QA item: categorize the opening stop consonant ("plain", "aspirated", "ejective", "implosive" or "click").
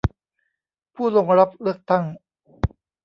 aspirated